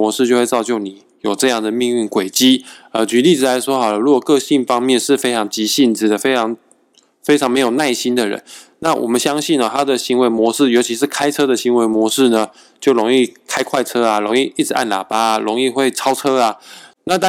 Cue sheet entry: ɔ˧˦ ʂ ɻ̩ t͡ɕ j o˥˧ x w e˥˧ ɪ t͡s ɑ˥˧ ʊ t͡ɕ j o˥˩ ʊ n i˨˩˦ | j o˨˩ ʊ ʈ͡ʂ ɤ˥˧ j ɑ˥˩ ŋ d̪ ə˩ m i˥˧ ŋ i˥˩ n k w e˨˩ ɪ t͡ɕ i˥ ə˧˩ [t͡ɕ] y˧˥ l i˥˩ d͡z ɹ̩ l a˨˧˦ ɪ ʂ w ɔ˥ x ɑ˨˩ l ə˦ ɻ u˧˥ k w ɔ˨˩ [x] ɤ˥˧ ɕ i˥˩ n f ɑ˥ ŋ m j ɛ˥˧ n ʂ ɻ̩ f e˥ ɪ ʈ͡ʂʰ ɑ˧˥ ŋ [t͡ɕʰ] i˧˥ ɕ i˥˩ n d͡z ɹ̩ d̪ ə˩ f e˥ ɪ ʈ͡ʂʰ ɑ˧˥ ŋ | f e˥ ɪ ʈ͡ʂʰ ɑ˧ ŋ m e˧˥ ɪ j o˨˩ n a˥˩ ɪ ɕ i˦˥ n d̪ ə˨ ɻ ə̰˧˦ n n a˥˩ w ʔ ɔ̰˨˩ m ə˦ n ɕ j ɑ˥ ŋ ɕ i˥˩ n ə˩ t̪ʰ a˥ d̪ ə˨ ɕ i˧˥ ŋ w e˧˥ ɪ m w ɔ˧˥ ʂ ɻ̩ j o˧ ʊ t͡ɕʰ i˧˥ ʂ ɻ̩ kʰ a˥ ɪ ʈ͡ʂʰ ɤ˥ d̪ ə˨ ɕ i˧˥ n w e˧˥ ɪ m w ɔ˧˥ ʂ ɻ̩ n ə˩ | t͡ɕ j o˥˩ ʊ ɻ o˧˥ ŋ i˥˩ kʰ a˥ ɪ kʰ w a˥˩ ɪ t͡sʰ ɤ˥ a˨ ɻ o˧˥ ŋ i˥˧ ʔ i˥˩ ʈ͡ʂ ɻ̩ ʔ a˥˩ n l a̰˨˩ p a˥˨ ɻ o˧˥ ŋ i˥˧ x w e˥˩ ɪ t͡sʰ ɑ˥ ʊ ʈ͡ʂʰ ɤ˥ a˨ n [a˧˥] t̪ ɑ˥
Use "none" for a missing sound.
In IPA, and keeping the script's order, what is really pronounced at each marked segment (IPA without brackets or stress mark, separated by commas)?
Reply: t͡ɕ, k, t͡ɕ, a˥˨